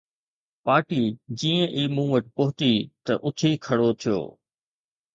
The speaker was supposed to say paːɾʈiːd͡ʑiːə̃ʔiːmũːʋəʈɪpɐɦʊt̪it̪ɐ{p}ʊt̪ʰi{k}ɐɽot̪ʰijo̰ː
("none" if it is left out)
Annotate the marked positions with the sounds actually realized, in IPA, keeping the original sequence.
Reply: ʔ, kʰ

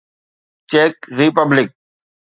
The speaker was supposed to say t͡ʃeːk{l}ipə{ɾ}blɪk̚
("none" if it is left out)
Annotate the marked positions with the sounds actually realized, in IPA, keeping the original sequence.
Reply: ɾ, none

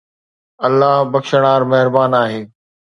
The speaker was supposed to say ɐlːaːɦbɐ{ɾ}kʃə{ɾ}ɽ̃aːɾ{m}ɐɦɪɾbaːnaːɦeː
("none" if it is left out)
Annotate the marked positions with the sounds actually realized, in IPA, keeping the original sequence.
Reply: none, none, m

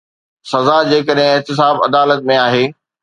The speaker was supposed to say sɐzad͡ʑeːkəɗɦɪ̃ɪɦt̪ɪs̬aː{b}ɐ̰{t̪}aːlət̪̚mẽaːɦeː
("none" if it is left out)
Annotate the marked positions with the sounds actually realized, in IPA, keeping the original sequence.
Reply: b, d̪

